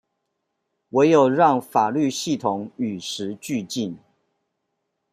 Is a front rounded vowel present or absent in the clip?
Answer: present